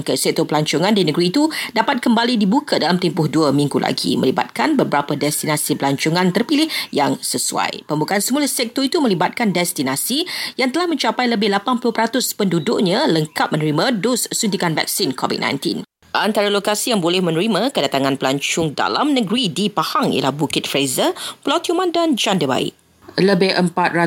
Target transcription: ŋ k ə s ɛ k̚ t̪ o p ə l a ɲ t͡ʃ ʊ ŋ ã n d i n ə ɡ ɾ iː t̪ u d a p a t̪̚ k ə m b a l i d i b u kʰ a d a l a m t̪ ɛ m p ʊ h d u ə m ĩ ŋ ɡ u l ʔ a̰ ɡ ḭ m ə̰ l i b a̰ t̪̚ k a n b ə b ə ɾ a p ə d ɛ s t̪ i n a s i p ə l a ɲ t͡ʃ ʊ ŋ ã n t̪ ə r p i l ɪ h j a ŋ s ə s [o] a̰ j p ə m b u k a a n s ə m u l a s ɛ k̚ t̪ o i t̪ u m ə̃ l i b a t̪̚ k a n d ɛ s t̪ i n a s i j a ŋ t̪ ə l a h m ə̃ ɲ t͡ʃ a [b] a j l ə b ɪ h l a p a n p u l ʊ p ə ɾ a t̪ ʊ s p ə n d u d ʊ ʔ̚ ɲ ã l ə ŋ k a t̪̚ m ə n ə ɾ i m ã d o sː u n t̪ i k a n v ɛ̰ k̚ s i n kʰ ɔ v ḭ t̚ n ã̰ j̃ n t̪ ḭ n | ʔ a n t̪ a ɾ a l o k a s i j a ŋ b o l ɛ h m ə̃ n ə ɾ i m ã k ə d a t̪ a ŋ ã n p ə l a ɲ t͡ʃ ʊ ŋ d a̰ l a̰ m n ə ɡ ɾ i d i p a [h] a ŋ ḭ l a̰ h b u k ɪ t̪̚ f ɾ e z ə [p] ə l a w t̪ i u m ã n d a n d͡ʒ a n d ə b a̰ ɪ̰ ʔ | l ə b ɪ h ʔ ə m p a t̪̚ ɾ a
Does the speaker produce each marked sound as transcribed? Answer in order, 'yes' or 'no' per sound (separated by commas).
no, no, yes, yes